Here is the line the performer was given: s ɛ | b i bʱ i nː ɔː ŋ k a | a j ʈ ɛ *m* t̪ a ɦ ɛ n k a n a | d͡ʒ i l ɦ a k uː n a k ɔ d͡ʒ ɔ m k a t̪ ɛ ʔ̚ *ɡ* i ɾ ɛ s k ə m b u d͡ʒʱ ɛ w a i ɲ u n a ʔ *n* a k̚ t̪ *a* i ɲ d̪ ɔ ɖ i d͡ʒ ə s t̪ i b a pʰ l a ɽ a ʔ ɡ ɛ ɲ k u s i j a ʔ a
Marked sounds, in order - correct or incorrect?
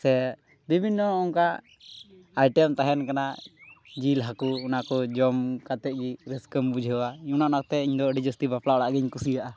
correct, correct, correct, incorrect: ɛ

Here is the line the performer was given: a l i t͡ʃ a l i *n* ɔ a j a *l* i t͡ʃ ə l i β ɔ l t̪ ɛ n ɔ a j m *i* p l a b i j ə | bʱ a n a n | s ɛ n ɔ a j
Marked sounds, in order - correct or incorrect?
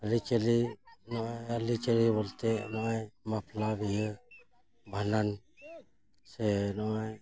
correct, correct, incorrect: a

